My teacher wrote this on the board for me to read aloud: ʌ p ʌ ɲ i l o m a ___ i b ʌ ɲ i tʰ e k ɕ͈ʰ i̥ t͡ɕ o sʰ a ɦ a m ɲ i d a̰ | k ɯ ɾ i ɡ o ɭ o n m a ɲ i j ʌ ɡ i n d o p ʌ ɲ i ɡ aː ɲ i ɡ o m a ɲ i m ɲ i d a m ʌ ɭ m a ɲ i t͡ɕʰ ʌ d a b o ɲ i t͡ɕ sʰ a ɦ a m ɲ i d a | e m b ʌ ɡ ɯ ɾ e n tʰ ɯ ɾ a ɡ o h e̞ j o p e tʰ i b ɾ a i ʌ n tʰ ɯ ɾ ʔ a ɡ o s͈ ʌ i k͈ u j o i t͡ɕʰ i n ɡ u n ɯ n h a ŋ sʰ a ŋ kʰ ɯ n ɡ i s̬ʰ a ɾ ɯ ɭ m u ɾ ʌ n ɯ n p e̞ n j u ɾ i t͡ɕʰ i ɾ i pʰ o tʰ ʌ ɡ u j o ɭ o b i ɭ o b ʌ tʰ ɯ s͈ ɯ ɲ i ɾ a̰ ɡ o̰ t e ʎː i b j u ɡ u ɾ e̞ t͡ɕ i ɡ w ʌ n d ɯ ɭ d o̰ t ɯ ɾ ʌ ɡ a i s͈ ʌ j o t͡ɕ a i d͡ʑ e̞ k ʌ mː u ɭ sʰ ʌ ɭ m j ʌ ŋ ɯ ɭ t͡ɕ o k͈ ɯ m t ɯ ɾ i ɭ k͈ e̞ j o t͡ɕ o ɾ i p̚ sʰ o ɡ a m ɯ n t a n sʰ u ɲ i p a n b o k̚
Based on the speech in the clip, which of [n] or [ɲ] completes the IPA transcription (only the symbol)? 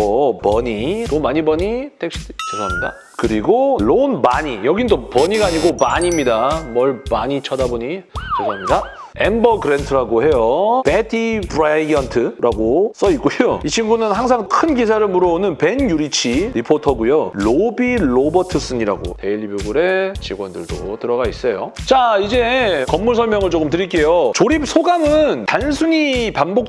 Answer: ɲ